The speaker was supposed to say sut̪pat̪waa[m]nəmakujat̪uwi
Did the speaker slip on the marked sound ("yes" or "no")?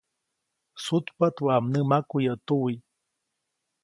no